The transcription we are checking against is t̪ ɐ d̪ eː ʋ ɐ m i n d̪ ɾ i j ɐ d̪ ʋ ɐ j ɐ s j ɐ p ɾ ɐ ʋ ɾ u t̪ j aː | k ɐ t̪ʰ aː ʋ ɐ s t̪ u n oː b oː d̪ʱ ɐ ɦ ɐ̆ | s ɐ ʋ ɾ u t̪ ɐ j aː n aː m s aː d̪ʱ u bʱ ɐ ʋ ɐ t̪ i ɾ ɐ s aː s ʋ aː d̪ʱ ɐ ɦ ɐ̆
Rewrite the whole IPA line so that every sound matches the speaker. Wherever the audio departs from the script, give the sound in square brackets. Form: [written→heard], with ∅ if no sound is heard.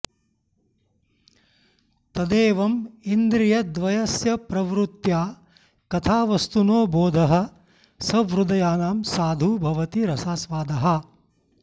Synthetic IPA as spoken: t̪ ɐ d̪ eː ʋ ɐ m i n d̪ ɾ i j ɐ d̪ ʋ ɐ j ɐ s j ɐ p ɾ ɐ ʋ ɾ u t̪ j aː | k ɐ t̪ʰ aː ʋ ɐ s t̪ u n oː b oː d̪ʱ ɐ ɦ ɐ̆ | s ɐ ʋ ɾ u [t̪→d̪] ɐ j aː n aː m s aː d̪ʱ u bʱ ɐ ʋ ɐ t̪ i ɾ ɐ s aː s ʋ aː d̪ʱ ɐ ɦ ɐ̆